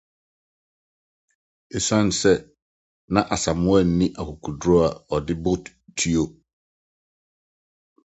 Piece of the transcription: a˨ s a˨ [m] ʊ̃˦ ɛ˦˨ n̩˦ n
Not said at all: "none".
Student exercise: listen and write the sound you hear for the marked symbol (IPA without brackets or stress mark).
m